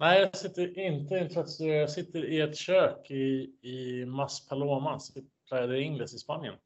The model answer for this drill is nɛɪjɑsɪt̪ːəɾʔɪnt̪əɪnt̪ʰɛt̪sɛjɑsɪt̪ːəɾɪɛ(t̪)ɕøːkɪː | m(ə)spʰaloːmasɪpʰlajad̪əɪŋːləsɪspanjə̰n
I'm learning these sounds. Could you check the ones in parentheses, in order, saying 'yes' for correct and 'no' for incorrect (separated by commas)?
yes, no